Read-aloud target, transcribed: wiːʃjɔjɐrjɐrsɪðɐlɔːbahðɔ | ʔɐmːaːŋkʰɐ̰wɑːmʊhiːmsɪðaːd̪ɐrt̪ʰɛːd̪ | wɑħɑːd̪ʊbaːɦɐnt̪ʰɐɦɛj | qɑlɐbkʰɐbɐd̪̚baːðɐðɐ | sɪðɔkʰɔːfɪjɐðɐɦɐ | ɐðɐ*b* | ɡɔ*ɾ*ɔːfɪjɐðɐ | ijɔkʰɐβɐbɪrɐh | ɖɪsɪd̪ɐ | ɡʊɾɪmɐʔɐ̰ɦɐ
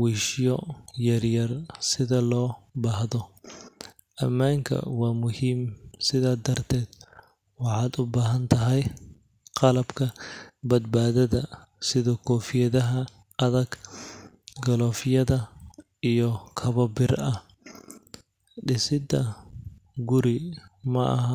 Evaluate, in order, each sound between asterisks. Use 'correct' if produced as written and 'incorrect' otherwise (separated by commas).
incorrect, incorrect